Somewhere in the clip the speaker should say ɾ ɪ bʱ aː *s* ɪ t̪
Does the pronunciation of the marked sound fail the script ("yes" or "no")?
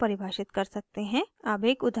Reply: yes